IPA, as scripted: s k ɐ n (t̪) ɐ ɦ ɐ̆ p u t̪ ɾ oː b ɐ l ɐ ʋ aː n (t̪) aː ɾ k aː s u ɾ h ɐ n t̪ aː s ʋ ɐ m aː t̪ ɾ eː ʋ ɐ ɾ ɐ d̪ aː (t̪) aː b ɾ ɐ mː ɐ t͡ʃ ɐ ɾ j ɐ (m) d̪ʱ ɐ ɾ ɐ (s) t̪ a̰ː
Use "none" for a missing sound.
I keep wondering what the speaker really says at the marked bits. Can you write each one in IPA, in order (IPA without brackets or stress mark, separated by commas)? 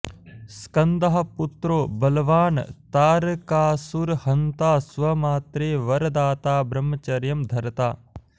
d̪, t̪, t̪, m, none